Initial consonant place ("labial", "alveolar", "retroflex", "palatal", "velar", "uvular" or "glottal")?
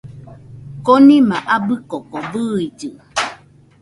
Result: velar